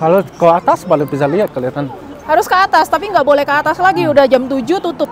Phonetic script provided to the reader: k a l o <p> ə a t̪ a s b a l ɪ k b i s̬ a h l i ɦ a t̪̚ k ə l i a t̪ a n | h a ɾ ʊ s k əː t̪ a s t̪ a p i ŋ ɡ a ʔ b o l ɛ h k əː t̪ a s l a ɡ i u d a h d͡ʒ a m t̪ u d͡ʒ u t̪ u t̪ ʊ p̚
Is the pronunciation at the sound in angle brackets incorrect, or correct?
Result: incorrect: k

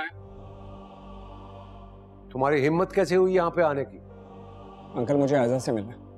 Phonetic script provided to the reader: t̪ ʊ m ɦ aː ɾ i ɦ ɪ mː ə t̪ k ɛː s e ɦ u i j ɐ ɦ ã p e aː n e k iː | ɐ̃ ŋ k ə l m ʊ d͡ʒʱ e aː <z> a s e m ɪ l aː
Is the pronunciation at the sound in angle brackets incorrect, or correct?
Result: correct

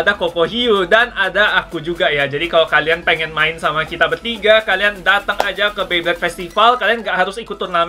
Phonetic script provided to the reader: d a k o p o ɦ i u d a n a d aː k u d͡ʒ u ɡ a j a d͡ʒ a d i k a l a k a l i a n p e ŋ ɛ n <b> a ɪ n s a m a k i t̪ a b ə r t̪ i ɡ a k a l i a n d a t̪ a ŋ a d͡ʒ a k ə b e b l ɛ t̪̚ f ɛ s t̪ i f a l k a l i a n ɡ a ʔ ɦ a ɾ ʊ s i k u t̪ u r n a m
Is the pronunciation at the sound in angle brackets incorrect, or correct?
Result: incorrect: m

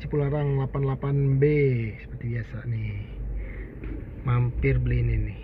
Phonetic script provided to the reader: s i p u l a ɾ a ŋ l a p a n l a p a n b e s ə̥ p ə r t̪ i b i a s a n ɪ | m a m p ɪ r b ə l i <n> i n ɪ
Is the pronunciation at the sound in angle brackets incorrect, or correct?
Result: correct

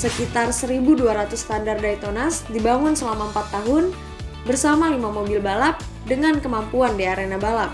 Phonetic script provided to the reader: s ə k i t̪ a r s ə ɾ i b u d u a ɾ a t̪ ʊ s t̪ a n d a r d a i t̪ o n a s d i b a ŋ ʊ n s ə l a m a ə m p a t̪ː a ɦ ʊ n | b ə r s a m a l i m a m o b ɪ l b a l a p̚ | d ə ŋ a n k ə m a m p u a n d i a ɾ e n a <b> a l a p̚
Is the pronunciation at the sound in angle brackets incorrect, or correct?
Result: correct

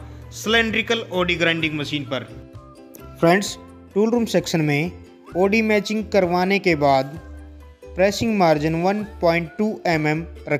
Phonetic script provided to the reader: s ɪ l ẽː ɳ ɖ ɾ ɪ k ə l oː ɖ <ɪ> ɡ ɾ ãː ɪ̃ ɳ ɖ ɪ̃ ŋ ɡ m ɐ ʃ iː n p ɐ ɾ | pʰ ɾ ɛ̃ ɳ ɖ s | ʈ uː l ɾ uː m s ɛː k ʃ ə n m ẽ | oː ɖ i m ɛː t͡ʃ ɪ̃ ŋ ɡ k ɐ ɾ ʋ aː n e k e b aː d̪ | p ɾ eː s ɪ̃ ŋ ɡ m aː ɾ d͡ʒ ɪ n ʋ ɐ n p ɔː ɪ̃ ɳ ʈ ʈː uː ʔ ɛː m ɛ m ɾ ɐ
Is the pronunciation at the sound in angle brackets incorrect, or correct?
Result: incorrect: i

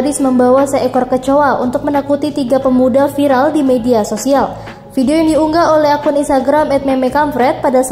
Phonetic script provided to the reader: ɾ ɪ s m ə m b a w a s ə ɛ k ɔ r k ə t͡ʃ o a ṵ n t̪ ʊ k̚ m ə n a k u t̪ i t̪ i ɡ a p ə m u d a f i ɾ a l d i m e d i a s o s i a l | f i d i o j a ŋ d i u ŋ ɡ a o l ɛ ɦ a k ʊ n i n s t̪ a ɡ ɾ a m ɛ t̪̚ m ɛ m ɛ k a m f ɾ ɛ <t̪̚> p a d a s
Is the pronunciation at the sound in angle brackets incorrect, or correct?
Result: correct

